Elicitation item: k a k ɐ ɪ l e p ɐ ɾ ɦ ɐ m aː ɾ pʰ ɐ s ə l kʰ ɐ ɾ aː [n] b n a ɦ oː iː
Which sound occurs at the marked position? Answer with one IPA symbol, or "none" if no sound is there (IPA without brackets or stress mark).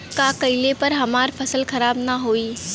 none